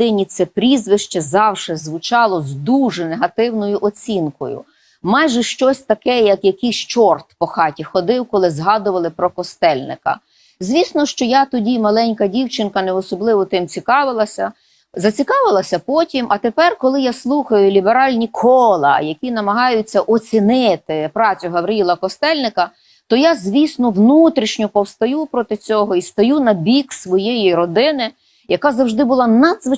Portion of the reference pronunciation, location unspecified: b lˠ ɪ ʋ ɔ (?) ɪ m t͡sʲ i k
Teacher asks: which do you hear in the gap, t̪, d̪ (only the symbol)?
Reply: t̪